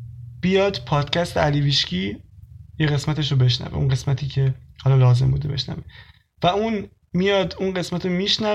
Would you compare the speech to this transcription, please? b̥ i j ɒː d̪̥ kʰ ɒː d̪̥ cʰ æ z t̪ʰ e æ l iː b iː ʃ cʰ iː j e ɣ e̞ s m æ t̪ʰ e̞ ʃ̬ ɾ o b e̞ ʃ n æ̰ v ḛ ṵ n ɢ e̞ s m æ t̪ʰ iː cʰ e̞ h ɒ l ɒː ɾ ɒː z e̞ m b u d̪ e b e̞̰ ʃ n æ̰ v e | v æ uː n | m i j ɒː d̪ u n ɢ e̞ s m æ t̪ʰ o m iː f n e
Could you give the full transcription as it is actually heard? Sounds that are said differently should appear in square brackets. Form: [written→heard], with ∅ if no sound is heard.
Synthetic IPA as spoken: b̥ i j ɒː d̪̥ [kʰ→pʰ] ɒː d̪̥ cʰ æ [z→s] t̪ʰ e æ l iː [b→v] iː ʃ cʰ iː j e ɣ e̞ s m æ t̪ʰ e̞ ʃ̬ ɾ o b e̞ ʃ n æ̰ v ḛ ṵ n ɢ e̞ s m æ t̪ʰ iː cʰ e̞ h ɒ l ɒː [ɾ→l] ɒː z e̞ m b u d̪ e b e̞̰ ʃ n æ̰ v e | v æ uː n | m i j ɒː d̪ u n ɢ e̞ s m æ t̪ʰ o m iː [f→ʃ] n [e→æ]